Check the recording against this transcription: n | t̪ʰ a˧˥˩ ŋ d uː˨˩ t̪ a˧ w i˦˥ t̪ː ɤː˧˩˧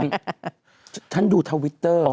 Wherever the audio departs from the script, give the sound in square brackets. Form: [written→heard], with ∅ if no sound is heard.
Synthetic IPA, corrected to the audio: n | t̪ʰ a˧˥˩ [ŋ→n] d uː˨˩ [t̪→t̪ʰ] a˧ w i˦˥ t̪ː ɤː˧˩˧

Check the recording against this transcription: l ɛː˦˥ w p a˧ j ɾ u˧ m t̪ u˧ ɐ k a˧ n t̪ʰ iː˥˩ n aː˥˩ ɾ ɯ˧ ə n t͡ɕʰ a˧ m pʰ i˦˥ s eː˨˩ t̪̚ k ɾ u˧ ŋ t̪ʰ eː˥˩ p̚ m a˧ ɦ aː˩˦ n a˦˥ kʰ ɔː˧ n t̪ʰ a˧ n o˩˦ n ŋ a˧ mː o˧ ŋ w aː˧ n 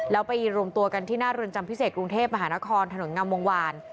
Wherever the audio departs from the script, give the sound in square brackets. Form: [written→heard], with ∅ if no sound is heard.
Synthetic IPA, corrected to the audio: l ɛː˦˥ w p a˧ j ɾ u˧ m t̪ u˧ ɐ k a˧ n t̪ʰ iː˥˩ n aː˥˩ ɾ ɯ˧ ə n [t͡ɕʰ→t͡ɕ] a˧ m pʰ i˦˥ s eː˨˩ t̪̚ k ɾ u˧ ŋ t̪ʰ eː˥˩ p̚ m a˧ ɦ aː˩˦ n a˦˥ kʰ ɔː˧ n t̪ʰ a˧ n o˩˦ n ŋ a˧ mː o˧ ŋ w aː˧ n

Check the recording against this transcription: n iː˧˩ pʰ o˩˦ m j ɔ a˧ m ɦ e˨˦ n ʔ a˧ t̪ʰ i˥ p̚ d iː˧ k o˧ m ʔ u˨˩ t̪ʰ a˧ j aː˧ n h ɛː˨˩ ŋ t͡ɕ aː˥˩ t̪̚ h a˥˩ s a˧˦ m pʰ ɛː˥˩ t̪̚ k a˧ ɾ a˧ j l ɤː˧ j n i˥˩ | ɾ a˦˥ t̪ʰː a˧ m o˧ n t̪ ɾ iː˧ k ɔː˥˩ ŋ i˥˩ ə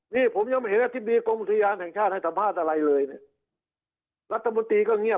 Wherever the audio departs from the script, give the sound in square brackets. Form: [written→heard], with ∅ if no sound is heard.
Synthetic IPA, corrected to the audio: n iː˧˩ pʰ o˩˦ m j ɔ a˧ m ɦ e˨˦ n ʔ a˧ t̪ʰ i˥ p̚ d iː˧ k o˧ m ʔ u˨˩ t̪ʰ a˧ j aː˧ n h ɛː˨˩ ŋ [t͡ɕ→t͡ɕʰ] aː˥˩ t̪̚ h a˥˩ s a˧˦ m pʰ [ɛː˥˩→aː˥˩] t̪̚ [k→ʔ] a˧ ɾ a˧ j l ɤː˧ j n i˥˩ | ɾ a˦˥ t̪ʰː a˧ m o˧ n t̪ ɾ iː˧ k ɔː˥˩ ŋ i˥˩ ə

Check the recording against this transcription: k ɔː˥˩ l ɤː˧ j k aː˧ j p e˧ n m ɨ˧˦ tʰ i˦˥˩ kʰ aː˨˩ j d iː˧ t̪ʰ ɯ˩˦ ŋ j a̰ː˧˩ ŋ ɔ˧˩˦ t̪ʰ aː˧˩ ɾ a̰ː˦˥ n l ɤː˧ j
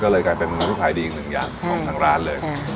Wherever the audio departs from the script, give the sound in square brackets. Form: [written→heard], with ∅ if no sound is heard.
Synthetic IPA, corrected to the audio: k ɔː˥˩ l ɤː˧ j k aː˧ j p e˧ n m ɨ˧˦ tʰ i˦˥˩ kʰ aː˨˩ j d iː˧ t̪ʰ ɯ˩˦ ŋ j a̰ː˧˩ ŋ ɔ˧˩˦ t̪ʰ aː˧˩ ɾ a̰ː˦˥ n l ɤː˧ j

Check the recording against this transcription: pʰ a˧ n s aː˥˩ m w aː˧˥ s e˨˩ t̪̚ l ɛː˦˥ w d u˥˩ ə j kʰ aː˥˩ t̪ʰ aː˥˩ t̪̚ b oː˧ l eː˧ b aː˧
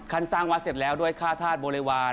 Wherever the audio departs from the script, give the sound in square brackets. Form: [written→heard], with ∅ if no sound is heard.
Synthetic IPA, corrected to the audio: [pʰ→kʰ] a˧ n s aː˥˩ [m→ŋ] w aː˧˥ s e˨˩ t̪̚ l ɛː˦˥ w d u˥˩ ə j kʰ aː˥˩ t̪ʰ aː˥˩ t̪̚ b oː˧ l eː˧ [b→w] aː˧

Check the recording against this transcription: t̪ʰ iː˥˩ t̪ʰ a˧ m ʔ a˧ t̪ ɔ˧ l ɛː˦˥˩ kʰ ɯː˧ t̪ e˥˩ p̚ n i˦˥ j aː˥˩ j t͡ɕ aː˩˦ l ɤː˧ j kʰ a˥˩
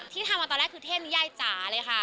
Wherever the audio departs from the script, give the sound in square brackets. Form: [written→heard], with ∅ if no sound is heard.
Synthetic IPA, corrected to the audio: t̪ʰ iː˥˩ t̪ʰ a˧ m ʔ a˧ t̪ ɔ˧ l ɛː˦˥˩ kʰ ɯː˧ [t̪→t̪ʰ] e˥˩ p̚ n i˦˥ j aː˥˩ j t͡ɕ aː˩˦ l ɤː˧ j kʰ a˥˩

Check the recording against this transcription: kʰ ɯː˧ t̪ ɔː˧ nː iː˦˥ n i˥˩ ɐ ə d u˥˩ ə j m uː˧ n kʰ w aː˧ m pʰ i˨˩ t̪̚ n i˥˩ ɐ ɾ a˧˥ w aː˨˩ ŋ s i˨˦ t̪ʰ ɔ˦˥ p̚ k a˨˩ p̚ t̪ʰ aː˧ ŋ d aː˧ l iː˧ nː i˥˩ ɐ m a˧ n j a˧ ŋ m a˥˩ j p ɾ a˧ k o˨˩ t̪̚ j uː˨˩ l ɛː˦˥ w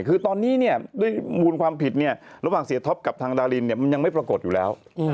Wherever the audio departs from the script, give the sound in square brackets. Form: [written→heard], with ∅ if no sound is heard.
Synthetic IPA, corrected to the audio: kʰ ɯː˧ t̪ ɔː˧ nː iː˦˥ n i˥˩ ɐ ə d u˥˩ ə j m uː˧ n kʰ w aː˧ m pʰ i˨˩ t̪̚ n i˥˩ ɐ ɾ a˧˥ w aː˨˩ ŋ s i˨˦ t̪ʰ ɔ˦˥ p̚ k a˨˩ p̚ t̪ʰ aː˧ ŋ d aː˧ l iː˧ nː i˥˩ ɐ m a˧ n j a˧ ŋ m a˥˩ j p ɾ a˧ k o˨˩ t̪̚ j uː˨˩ l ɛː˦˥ w

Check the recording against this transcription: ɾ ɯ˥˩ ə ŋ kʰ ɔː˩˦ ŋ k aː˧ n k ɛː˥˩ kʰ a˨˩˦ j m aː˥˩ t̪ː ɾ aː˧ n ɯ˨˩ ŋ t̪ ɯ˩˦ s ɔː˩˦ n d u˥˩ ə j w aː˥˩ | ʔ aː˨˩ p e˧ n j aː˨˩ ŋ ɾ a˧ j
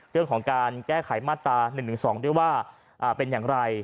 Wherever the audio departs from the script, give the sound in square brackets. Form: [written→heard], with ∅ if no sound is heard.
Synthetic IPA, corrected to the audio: ɾ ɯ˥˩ ə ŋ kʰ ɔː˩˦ ŋ k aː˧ n k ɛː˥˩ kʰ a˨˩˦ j m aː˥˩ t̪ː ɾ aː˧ n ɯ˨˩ ŋ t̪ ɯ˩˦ s ɔː˩˦ [n→ŋ] d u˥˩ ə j w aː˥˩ | ʔ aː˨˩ p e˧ n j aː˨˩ ŋ ɾ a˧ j

